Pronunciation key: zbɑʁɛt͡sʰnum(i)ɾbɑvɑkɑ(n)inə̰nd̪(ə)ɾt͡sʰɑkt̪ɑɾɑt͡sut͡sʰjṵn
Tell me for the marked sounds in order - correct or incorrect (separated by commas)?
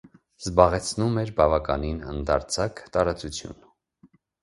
incorrect, correct, incorrect